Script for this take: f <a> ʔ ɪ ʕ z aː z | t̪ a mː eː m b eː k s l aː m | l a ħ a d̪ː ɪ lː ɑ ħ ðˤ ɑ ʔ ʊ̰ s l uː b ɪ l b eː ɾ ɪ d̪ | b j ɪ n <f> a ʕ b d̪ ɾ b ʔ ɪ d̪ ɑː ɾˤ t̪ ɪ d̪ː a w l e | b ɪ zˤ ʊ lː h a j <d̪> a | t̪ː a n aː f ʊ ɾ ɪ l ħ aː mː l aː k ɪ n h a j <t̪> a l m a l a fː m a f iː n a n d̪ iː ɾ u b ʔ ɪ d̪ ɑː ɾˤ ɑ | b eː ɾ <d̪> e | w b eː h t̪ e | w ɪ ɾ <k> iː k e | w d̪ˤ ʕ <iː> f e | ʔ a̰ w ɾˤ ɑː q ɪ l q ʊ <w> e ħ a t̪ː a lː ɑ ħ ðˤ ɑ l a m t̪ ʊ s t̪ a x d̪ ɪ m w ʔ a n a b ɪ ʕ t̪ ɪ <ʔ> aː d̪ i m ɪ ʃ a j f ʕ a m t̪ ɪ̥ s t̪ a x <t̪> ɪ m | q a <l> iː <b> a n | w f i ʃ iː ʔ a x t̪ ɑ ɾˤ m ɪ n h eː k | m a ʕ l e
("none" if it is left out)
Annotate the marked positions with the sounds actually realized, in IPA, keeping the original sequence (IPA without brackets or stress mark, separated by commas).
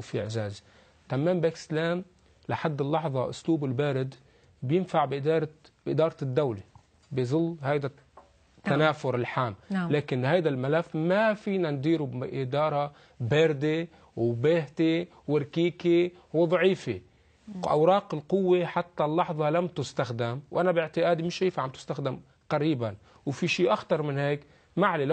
i, f, d̪, d̪, d̪, k, iː, wː, ʔ, d̪, ɾ, b